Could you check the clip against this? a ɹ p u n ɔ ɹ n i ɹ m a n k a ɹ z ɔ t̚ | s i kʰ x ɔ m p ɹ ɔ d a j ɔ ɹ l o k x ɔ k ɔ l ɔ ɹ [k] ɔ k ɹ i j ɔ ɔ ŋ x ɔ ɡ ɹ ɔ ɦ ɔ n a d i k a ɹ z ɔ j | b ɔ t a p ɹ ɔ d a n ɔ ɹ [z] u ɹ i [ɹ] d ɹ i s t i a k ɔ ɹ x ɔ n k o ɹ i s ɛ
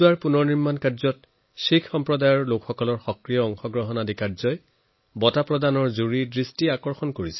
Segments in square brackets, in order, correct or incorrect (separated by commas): incorrect, correct, incorrect